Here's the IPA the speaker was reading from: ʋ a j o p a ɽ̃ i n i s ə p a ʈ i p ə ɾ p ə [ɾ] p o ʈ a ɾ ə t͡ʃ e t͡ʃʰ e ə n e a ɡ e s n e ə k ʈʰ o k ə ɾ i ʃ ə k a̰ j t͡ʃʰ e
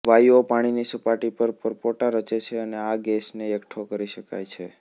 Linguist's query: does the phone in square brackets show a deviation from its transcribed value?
no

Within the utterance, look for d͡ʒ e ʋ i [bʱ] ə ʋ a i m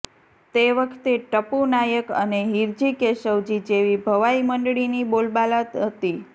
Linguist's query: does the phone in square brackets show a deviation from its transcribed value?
no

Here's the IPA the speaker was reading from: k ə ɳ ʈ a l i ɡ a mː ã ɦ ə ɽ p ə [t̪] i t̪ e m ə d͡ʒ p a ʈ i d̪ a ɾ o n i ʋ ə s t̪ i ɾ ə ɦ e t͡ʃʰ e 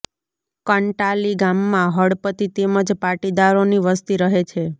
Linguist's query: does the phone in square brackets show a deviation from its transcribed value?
no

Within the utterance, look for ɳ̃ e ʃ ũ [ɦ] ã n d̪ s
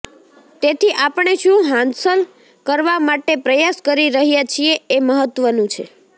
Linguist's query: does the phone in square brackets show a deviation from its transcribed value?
no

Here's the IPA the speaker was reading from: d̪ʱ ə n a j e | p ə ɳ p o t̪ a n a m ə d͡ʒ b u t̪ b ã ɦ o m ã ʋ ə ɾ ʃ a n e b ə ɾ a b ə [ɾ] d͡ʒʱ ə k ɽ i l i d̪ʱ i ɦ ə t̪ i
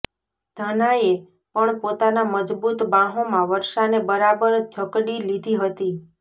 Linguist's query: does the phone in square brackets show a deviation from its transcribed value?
no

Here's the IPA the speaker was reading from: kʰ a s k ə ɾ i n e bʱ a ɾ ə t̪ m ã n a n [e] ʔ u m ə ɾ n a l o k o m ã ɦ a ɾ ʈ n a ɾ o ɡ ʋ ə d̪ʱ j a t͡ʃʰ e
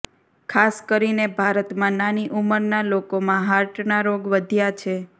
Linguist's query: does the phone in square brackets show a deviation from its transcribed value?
yes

